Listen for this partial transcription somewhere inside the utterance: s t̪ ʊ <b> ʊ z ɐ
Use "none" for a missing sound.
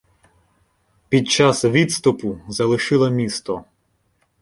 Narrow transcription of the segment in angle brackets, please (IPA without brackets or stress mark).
p